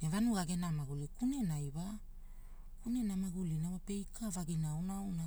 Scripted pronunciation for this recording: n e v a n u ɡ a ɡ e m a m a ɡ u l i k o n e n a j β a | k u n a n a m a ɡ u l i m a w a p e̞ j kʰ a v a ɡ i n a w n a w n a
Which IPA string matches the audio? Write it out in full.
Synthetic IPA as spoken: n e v a n u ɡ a ɡ e n a m a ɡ u l i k u n e n a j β a | k u n e n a m a ɡ u l i n a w a p e̞ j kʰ a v a ɡ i n a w n a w n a

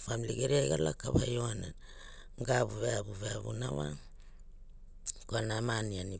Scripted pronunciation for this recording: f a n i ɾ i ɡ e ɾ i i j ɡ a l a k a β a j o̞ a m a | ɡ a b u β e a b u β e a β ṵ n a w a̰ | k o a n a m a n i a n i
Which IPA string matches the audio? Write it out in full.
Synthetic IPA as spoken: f a m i l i ɡ e ɾ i a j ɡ a l a k a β a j o̞ a n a | ɡ a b u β e a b u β e a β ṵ n a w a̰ | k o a n a m a n i a n i

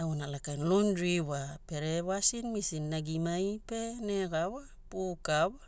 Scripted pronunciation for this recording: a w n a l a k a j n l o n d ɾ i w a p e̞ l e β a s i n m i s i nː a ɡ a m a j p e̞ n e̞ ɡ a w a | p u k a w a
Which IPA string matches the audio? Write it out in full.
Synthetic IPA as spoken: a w n a l a k a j n l o n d ɾ i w a p e̞ ɾ e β a s i n m i s i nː a ɡ i m a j p e̞ n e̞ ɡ a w a | p u k a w a

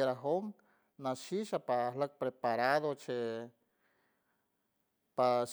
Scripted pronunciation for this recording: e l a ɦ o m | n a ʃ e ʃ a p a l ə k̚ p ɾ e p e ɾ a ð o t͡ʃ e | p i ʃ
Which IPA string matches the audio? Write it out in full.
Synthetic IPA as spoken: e ɾ a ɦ o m | n a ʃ i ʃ a p a l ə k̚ p ɾ e p a ɾ a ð o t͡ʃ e | p a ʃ

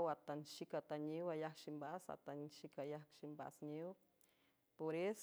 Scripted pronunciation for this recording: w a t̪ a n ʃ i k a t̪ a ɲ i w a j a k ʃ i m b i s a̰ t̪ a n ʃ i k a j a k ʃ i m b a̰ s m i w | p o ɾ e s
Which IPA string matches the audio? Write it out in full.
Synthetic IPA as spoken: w a t̪ a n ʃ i k a t̪ a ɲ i w a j a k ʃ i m b a s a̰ t̪ a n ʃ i k a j a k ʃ i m b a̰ s ɲ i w | p o ɾ e s

